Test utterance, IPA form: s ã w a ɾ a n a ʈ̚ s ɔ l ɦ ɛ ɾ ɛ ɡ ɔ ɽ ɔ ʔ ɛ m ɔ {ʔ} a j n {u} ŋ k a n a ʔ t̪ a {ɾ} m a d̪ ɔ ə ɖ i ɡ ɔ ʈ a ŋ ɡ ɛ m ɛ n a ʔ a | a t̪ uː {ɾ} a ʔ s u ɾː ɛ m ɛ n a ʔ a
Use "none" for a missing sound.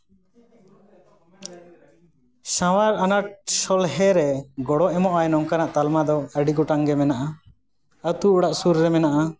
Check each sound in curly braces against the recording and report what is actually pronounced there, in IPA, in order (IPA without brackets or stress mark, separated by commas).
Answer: ʔ, ɔ, l, ɽ